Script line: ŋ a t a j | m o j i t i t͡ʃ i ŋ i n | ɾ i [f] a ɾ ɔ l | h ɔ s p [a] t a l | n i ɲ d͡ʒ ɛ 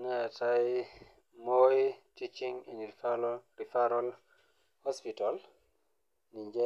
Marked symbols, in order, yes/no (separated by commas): yes, no